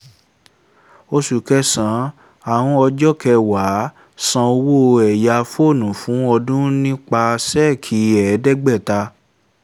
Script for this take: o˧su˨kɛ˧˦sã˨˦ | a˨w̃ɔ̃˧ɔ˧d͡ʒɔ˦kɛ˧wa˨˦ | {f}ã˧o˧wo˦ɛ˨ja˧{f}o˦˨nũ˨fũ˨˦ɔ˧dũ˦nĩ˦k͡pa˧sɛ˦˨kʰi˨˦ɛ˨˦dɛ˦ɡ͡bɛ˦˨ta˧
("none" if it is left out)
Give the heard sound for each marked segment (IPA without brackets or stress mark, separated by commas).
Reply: s, f